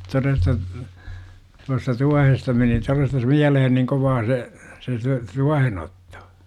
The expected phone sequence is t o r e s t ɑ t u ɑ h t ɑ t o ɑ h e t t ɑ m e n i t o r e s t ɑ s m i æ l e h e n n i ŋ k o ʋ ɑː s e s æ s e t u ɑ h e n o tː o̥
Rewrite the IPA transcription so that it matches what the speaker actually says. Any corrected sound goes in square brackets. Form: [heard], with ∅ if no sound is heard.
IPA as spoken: t o r e s t ɑ t u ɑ [s] t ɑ t [u] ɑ h e [s] t ɑ m e n i t o r e s t ɑ s m i æ l e h e n n i ŋ k o ʋ ɑː s e s [e] s e t u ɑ h e n o tː o̥